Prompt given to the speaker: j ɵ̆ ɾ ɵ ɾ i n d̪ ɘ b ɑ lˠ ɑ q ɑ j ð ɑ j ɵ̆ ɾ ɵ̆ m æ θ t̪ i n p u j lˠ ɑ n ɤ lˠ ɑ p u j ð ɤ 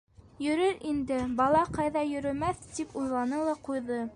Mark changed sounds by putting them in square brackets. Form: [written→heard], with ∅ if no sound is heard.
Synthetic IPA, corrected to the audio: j ɵ̆ ɾ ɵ ɾ i n d̪ ɘ b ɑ lˠ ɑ q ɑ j ð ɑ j ɵ̆ ɾ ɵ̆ m æ θ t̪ i [n→∅] p u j lˠ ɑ n ɤ lˠ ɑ [p→q] u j ð ɤ